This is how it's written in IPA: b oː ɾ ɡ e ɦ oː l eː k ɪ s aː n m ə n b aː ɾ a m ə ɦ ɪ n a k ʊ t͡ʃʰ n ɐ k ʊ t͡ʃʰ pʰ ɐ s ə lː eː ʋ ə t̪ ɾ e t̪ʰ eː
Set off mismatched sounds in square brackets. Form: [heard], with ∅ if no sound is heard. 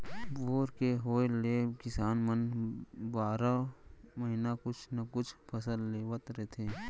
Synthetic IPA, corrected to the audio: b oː ɾ [k] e ɦ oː l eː k ɪ s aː n m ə n b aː ɾ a m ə ɦ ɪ n a k ʊ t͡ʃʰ n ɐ k ʊ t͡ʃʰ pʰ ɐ s ə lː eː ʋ ə t̪ ɾ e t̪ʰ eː